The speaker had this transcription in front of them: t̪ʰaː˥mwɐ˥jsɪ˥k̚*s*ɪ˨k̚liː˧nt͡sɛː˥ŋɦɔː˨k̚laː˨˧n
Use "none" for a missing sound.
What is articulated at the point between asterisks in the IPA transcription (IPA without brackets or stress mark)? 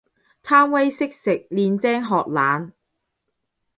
s